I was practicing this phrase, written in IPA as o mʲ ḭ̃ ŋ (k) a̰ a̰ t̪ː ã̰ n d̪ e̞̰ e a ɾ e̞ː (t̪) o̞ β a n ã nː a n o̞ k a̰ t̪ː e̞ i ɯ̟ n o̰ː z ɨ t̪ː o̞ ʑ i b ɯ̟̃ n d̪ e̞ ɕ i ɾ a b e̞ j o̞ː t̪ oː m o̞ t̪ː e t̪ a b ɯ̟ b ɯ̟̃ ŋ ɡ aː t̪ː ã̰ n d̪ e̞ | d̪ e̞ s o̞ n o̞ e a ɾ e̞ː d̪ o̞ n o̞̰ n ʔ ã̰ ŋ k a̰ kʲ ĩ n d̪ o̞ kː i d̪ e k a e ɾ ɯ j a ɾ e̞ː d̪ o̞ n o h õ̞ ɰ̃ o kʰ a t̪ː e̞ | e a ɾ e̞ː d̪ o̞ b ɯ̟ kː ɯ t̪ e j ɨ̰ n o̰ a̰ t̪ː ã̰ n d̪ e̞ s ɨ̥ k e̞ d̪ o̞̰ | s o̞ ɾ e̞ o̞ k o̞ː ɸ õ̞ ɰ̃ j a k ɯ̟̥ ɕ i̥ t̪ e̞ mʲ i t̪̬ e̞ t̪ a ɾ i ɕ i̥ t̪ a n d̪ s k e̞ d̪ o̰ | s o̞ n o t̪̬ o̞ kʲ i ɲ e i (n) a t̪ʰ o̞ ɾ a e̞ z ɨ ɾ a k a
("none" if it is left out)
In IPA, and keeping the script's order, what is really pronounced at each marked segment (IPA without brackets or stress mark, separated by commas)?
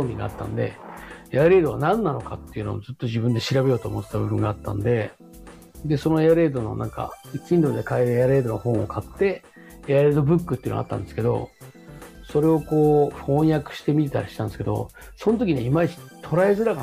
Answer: ɡ, d̪, m